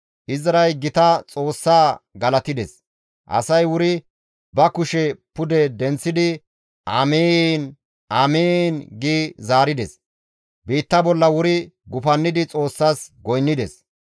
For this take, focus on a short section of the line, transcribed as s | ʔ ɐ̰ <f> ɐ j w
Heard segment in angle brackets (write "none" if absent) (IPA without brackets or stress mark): s